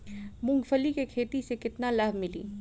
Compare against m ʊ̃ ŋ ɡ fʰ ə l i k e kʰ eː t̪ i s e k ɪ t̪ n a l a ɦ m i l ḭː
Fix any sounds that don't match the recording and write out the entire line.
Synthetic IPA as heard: m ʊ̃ ŋ ɡ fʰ ə l i k e kʰ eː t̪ i s e k ɪ t̪ n a l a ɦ m ɪ l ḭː